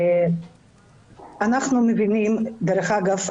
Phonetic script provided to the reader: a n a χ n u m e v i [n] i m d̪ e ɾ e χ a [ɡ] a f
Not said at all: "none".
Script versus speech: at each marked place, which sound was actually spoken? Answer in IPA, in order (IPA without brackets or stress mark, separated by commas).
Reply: n, ɡ